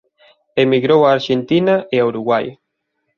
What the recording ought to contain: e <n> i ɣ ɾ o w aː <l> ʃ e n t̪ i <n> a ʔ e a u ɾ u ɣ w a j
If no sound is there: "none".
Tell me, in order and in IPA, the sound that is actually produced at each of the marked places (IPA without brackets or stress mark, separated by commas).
m, ɾ, n